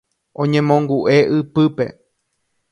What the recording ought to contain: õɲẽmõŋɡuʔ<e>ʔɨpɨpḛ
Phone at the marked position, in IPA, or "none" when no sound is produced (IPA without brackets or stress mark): e